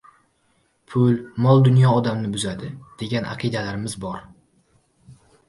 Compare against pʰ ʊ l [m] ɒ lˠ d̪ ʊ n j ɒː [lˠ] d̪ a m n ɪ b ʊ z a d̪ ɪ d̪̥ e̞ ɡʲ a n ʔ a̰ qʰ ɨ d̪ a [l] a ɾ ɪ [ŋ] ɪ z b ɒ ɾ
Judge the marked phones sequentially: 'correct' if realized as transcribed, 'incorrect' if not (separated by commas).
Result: correct, incorrect, correct, incorrect